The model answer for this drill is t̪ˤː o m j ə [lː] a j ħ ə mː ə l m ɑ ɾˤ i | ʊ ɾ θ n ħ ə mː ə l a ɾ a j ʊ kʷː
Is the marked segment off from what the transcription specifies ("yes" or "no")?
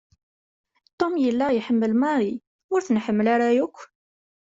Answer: no